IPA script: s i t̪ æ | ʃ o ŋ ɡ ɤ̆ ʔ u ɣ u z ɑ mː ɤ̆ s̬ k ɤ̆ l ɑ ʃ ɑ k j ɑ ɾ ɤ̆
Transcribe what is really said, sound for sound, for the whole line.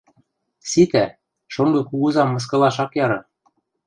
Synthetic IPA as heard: s i t̪ æ | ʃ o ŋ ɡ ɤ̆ k u ɣ u z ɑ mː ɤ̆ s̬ k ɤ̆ l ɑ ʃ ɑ k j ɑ ɾ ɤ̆

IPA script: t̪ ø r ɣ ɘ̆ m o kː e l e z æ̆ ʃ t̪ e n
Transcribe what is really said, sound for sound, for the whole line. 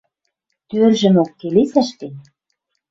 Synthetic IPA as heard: t̪ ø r ʒ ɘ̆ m o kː e l e s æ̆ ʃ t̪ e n

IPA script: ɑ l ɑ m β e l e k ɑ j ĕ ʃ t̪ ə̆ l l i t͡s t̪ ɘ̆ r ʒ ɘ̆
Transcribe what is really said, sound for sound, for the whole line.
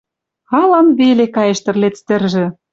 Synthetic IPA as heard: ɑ l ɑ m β e l e k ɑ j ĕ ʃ t̪ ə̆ r l e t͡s t̪ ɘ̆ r ʒ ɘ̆

